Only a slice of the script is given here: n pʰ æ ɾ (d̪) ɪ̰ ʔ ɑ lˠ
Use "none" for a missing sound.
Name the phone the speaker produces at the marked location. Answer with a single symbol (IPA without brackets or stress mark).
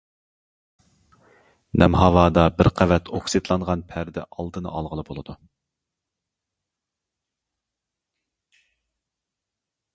d̪